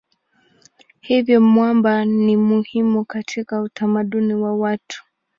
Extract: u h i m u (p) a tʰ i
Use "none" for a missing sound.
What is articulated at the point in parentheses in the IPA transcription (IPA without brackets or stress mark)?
k